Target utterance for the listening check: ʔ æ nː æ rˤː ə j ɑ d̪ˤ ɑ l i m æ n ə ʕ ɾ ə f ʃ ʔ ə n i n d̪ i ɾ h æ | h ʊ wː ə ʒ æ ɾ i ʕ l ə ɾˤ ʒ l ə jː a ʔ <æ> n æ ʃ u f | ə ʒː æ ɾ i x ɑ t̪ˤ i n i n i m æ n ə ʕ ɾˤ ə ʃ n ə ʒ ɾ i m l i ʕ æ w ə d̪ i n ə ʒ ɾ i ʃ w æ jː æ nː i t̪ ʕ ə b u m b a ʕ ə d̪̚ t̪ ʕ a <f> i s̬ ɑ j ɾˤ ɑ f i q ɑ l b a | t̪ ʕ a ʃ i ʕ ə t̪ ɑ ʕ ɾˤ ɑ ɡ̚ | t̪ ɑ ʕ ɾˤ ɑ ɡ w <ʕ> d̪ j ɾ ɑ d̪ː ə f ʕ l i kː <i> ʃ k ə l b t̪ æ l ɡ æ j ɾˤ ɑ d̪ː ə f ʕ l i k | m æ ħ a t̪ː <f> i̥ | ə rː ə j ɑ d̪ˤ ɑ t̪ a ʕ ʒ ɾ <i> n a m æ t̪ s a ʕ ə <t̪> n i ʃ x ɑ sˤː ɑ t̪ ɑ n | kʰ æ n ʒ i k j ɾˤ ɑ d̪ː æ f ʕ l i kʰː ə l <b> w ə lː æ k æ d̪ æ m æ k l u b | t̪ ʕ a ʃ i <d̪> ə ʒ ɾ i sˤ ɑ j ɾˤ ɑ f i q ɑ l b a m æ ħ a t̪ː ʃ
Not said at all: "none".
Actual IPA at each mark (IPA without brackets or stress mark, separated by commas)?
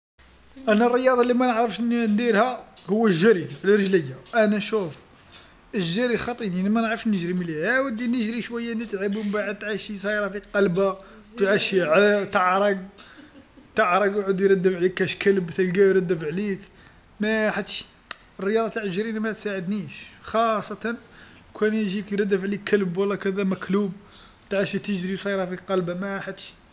æ, ʃ, ʕ, æ, ʃ, i, d̪, b, t̪